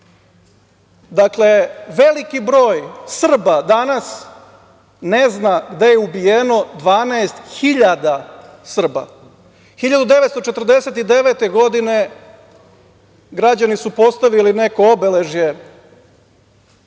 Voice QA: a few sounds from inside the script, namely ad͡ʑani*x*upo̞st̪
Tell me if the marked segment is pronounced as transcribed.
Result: no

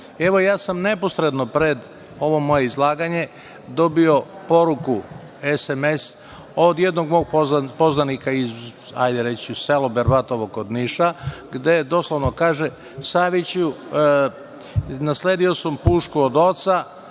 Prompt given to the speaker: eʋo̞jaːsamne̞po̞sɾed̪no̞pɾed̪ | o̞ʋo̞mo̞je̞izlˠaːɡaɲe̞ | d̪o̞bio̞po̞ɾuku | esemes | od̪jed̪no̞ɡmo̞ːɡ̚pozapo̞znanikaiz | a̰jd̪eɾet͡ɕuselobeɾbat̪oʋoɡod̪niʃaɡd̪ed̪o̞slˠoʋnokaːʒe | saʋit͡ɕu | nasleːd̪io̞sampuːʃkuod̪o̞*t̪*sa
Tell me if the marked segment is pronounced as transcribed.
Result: yes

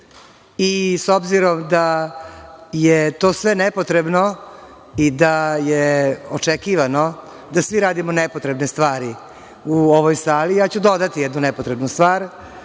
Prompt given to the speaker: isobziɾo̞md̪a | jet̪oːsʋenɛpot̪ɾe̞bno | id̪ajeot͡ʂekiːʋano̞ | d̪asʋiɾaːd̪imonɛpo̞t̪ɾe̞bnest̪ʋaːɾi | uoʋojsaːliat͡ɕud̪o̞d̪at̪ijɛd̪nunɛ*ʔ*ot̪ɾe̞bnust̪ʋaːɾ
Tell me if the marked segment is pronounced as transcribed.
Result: no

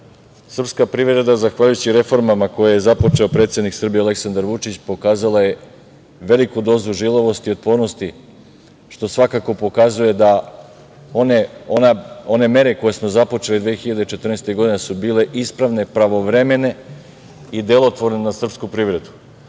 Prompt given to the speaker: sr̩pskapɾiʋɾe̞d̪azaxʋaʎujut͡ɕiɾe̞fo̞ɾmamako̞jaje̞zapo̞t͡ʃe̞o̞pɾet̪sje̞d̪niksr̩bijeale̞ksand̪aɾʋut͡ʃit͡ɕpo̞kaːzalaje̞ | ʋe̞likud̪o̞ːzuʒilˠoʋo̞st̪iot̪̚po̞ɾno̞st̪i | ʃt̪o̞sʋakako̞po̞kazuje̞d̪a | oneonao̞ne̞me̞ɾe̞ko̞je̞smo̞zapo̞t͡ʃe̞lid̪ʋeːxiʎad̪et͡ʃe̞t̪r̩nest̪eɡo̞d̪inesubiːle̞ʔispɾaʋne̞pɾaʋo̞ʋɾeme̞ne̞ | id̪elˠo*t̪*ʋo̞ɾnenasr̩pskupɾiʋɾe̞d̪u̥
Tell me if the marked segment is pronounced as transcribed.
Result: yes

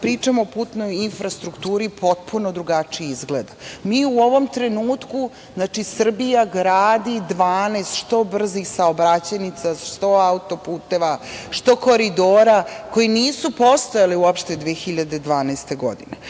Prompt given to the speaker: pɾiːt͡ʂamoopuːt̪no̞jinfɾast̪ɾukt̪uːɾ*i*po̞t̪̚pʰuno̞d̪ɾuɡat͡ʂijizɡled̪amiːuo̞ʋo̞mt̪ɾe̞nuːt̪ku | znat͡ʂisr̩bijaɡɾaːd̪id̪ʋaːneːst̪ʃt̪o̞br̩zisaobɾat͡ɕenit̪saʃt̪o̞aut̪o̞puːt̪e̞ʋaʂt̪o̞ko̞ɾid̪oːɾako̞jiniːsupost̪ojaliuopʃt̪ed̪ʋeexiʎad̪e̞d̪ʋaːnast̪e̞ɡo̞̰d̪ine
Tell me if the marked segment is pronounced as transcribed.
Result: yes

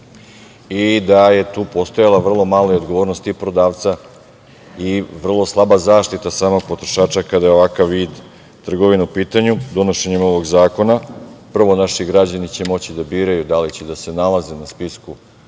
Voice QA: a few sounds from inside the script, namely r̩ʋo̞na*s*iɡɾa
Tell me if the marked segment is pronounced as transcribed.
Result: no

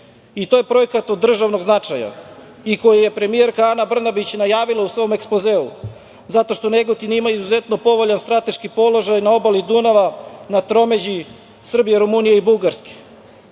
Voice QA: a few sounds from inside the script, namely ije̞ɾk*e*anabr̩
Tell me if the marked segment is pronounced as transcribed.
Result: no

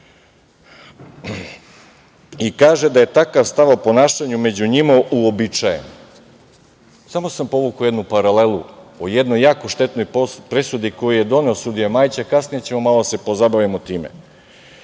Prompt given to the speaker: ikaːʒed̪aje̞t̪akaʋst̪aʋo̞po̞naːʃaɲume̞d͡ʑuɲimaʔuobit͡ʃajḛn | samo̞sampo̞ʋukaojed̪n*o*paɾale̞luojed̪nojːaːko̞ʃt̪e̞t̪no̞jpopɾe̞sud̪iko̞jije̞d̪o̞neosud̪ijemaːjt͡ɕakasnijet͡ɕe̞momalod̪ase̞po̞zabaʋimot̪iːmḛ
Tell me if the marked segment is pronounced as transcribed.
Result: no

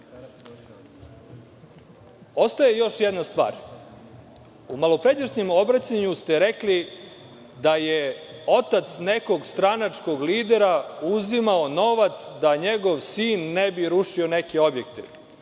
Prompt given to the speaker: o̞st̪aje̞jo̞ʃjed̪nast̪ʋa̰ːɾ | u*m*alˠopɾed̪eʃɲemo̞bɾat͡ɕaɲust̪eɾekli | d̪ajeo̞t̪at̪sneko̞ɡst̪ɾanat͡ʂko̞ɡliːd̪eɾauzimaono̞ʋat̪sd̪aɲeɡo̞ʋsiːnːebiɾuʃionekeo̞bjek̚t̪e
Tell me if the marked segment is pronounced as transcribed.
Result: yes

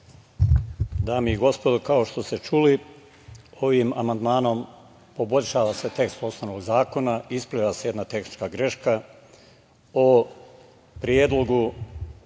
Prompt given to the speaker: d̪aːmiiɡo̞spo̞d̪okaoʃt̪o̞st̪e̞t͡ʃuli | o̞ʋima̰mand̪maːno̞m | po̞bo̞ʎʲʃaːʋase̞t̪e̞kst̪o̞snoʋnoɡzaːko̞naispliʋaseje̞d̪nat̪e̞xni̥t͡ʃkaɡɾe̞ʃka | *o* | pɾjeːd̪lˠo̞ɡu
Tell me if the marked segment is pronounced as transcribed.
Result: yes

